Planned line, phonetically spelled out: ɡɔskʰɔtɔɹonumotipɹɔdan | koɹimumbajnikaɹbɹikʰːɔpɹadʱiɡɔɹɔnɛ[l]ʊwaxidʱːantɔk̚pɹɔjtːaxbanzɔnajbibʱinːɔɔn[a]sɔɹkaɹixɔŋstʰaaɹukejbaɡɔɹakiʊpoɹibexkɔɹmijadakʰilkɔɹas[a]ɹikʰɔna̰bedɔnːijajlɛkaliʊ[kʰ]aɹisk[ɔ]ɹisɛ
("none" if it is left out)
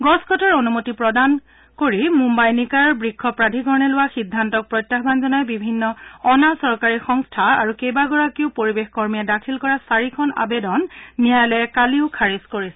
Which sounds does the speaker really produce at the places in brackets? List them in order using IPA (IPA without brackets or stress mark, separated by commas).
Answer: l, a, a, kʰ, o